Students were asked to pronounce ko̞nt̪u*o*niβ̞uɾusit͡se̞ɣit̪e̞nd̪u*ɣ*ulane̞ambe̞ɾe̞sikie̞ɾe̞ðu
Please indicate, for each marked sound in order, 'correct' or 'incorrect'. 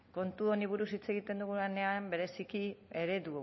correct, correct

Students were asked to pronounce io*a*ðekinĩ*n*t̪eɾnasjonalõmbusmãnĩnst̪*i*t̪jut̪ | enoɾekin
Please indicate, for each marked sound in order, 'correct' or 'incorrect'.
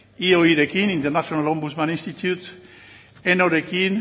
incorrect, correct, correct

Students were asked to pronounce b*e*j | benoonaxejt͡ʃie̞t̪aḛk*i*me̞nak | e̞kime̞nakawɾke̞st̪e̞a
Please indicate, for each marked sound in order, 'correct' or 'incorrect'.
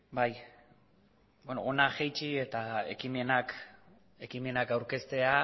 incorrect, correct

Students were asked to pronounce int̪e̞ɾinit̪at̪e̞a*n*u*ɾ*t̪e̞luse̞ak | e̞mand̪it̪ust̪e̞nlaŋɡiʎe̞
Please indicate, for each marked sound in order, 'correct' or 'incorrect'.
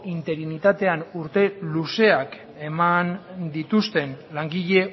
correct, correct

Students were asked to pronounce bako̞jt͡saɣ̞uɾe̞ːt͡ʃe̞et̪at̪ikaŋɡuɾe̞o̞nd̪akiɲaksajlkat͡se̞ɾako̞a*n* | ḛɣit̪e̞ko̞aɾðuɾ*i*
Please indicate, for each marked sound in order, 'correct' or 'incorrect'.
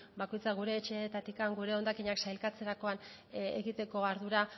correct, incorrect

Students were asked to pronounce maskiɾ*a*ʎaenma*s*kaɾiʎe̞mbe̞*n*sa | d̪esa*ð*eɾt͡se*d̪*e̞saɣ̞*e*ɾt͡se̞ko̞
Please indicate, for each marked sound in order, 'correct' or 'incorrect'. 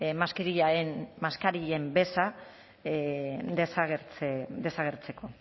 incorrect, correct, incorrect, incorrect, correct, correct

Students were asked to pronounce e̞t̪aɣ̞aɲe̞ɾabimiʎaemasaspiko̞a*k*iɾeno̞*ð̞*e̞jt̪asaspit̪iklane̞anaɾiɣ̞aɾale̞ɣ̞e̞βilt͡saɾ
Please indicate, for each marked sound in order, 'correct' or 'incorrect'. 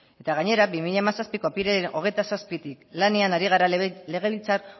incorrect, incorrect

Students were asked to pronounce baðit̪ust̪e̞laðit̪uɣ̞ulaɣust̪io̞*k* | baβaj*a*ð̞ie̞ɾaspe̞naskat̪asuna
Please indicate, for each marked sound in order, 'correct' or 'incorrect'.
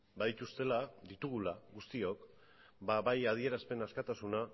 correct, correct

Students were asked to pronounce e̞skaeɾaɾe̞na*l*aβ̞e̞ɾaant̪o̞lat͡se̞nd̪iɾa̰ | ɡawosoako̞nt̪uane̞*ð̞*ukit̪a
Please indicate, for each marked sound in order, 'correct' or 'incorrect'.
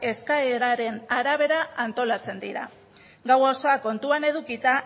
incorrect, correct

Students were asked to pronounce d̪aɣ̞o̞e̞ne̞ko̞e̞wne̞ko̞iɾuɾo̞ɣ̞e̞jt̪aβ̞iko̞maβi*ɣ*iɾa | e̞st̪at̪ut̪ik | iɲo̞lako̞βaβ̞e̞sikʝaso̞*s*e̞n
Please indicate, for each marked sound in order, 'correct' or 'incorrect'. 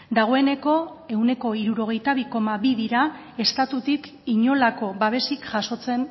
incorrect, incorrect

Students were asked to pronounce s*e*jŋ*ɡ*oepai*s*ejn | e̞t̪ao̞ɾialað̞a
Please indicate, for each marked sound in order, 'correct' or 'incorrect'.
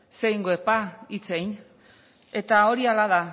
correct, correct, incorrect

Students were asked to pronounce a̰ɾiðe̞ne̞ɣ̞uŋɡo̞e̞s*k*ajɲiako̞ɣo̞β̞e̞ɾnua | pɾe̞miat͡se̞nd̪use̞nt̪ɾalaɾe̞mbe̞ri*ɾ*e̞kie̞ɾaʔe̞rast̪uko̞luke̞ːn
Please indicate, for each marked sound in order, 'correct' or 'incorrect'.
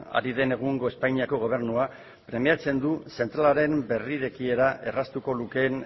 incorrect, correct

